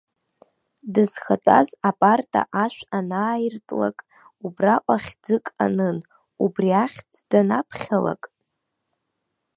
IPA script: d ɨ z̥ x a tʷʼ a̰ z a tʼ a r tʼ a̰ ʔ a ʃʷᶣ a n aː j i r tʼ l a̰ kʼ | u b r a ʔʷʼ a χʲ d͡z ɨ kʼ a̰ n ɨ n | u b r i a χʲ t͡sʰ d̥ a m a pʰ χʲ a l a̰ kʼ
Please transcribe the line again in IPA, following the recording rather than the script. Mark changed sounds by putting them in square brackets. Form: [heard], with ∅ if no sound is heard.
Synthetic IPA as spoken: d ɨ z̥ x a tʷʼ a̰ z a [pʼ] a r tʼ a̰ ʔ a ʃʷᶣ a n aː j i r tʼ l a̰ kʼ | u b r a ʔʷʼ a χʲ d͡z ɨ kʼ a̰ n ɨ n | u b r i a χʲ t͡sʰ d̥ a [n] a pʰ χʲ a l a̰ kʼ